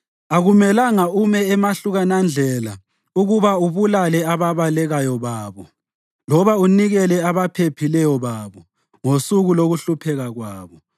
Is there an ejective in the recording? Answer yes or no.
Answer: no